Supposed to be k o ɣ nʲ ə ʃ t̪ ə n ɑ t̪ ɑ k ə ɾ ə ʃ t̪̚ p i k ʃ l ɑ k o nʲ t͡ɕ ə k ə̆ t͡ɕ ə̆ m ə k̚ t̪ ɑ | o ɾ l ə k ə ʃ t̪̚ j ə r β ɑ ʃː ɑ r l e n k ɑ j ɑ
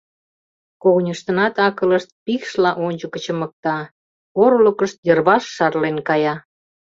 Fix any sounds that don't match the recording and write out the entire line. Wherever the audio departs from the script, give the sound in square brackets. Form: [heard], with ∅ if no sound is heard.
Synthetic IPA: k o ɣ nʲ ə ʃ t̪ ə n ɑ t̪ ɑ k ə [l] ə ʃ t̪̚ p i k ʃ l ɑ [ʔ] o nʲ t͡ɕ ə k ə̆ t͡ɕ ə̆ m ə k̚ t̪ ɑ | o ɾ l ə k ə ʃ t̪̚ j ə r β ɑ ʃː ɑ r l e n k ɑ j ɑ